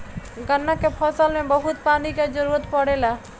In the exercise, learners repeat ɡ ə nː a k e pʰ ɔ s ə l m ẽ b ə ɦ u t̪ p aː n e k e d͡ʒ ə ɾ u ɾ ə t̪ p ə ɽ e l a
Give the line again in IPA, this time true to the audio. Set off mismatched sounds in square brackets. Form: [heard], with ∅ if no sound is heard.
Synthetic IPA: ɡ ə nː a k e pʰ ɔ s ə l m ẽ b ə ɦ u t̪ p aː n [i] k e d͡ʒ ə ɾ u ɾ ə t̪ p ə ɽ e l a